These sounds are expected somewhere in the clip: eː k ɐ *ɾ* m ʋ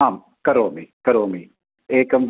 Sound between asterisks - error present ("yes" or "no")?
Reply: yes